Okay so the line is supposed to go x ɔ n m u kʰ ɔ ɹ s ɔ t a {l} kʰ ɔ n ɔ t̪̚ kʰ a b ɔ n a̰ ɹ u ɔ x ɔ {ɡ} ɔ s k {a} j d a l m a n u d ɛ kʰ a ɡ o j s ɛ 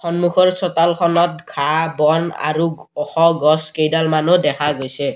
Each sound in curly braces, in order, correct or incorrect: correct, correct, incorrect

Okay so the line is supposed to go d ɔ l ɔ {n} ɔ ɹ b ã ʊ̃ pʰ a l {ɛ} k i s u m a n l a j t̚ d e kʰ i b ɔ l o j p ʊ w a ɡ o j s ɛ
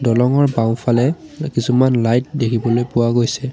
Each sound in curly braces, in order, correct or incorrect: incorrect, correct

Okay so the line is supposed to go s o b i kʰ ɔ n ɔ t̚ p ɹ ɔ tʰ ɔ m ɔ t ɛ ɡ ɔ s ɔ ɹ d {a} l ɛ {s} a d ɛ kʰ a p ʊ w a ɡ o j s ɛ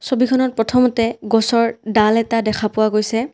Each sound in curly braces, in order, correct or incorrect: correct, incorrect

